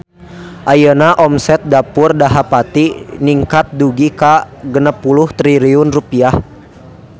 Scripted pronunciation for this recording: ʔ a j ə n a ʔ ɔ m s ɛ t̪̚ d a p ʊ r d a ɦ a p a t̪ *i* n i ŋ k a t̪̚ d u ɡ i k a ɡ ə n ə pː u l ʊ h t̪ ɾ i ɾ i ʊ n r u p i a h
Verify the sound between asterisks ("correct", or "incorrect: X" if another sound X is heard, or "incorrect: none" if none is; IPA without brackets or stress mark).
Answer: correct